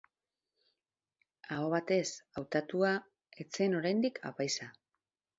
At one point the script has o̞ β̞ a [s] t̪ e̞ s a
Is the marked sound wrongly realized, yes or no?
yes